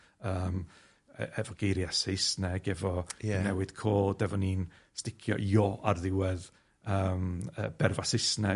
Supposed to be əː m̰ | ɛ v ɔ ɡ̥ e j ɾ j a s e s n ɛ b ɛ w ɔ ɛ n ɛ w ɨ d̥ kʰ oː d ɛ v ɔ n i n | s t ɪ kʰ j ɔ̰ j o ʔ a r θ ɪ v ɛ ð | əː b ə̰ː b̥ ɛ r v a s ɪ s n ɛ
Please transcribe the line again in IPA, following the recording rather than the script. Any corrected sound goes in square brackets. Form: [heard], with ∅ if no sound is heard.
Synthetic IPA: əː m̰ | ɛ v ɔ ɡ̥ e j ɾ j a s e s n ɛ [ɡ] ɛ [v] ɔ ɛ n ɛ w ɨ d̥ kʰ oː d ɛ v ɔ n i n | s t ɪ kʰ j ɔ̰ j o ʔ a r [ð] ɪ [w] ɛ ð | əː [m] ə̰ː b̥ ɛ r v a s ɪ s n ɛ